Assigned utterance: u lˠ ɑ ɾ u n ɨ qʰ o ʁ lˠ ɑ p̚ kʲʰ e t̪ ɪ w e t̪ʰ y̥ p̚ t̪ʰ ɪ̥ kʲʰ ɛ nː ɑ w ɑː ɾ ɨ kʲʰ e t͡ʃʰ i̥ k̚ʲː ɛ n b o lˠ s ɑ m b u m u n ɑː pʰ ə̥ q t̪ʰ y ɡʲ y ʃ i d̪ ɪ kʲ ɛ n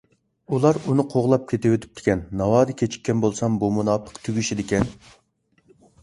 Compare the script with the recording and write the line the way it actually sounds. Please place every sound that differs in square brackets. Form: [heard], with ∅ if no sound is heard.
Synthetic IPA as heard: u lˠ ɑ ɾ u n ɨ qʰ o ʁ lˠ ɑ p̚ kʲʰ e t̪ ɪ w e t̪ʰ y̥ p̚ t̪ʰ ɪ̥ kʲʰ ɛ nː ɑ w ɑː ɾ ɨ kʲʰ e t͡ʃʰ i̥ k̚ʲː ɛ n b o lˠ s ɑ m b u m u n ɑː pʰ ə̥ q t̪ʰ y ɡʲ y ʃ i d̪ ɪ kʲ ɛ n